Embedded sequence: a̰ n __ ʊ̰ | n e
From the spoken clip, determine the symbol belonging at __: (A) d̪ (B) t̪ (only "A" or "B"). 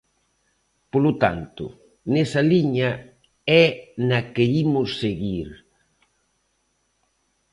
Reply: B